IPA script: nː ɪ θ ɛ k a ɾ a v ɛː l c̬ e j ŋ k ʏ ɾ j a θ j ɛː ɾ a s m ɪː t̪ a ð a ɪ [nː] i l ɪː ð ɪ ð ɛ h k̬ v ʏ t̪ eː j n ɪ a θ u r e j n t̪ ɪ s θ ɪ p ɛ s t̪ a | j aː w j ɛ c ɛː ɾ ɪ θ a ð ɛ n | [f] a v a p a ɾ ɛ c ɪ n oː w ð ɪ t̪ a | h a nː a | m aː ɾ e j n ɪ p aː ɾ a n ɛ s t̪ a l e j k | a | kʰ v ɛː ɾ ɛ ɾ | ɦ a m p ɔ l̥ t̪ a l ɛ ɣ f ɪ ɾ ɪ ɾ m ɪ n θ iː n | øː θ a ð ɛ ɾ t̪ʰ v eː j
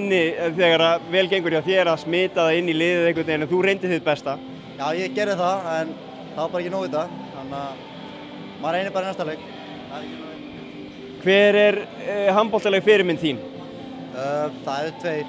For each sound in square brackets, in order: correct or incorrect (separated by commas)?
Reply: correct, incorrect